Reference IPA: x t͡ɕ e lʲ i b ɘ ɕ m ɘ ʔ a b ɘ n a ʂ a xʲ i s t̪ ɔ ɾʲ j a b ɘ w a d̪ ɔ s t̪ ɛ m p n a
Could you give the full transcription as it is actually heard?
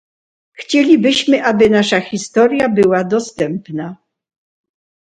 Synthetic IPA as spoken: x t͡ɕ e lʲ i b ɘ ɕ m ɘ ʔ a b ɘ n a ʂ a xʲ i s t̪ ɔ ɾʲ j a b ɘ w a d̪ ɔ s t̪ ɛ m p n a